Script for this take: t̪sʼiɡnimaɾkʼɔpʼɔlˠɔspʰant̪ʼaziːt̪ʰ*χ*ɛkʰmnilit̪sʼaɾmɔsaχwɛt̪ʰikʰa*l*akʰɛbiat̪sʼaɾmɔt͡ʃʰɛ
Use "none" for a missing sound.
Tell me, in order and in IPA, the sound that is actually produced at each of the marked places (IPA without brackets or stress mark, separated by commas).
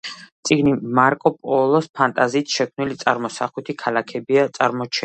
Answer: ʃ, l